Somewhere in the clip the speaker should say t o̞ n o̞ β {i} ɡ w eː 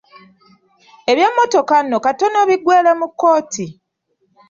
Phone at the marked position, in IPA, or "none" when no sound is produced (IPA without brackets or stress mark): i